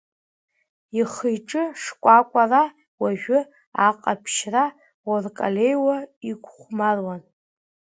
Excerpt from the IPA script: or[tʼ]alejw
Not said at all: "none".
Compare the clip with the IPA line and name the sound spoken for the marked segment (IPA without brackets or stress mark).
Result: kʼ